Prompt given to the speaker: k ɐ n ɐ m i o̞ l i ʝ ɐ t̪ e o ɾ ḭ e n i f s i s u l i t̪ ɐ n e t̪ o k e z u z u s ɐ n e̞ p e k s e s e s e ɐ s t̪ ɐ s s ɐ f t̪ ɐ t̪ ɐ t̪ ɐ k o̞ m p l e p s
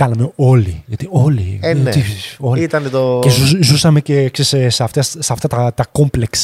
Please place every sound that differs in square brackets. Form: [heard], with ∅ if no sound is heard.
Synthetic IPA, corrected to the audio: k ɐ n ɐ m [e] o̞ l i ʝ ɐ t̪ [i] o [l] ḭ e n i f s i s [o] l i t̪ ɐ n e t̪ o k e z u z u s ɐ [m] e̞ [c] e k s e s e s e ɐ [f] t̪ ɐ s s ɐ f t̪ ɐ t̪ ɐ t̪ ɐ k o̞ m p l e [k] s